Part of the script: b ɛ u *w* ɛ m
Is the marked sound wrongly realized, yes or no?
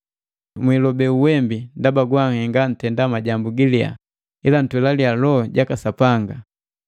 no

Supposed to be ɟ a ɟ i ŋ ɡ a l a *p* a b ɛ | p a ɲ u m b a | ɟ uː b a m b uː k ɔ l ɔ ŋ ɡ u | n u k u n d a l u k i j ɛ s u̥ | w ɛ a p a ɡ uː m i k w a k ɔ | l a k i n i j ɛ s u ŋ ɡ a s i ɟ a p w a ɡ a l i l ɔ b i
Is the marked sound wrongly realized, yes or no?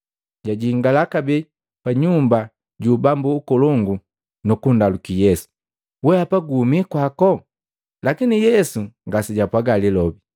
yes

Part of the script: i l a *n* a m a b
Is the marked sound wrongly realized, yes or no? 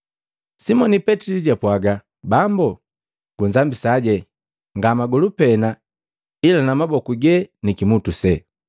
no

